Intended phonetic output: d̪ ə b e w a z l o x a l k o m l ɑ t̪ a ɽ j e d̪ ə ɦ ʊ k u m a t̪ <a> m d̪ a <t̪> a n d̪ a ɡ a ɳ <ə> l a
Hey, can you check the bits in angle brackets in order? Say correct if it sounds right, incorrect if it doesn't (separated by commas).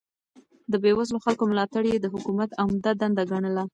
correct, incorrect, correct